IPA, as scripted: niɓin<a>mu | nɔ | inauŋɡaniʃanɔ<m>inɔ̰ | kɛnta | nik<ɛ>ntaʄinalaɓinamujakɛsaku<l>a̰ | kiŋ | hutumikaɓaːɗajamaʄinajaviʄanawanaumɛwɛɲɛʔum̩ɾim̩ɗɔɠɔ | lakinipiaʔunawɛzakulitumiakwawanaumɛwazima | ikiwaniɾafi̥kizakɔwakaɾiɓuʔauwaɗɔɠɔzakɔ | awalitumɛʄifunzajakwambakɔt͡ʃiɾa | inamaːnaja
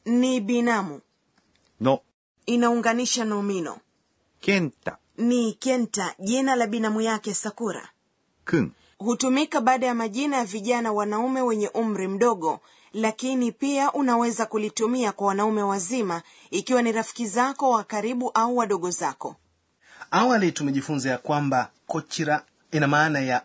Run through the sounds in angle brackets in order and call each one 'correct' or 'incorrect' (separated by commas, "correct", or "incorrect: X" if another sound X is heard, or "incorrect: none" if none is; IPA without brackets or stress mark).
correct, correct, correct, incorrect: ɾ